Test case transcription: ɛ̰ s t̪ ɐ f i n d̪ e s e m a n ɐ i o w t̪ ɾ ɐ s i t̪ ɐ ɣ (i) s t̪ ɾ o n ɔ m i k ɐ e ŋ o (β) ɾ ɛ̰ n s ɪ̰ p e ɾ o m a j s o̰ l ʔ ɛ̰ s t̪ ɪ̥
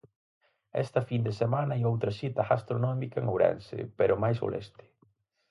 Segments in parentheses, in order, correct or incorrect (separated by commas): incorrect, incorrect